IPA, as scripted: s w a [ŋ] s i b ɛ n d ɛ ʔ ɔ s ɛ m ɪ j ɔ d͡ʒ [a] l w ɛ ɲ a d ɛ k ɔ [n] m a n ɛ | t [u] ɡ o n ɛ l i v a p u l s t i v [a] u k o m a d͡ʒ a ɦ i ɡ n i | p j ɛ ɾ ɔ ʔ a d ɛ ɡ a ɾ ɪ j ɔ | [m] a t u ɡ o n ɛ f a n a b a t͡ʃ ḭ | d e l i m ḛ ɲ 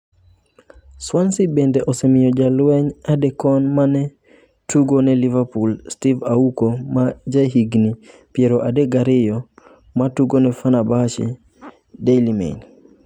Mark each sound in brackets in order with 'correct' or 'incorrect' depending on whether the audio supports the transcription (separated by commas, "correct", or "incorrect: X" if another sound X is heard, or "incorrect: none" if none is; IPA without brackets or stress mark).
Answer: incorrect: n, correct, correct, correct, correct, correct